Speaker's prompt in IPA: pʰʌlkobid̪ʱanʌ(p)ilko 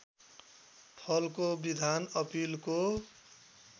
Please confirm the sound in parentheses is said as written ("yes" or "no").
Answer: yes